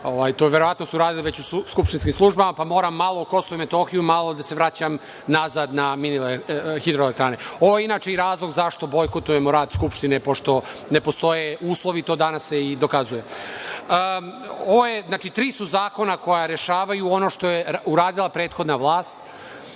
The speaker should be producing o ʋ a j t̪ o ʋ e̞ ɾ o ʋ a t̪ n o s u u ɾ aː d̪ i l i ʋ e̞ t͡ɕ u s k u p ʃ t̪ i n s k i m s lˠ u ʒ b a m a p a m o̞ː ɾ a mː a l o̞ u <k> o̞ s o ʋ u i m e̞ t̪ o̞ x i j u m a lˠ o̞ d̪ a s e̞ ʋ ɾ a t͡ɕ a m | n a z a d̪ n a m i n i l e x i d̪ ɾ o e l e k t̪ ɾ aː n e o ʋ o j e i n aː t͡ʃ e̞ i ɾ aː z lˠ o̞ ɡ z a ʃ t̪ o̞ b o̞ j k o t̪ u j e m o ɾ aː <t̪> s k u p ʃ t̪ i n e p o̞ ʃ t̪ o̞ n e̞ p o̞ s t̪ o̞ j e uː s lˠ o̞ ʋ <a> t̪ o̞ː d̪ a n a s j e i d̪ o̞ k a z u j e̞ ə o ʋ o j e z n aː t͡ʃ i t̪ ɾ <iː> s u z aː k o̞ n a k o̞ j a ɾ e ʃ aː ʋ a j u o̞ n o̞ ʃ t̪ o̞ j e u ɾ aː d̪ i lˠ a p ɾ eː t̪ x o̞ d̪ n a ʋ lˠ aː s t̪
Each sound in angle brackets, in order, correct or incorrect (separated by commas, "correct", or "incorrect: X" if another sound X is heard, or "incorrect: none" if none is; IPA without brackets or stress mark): correct, incorrect: d̪, incorrect: i, correct